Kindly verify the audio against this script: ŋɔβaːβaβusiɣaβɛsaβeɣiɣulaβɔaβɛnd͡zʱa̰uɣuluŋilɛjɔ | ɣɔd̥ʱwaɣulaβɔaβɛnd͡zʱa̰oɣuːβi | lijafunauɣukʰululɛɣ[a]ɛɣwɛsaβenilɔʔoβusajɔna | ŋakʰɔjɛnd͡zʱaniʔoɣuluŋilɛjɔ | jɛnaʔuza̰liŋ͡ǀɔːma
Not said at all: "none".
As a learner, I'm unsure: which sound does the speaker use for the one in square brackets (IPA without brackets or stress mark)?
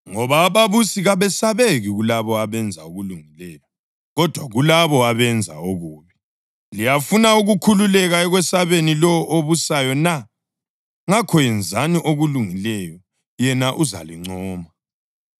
a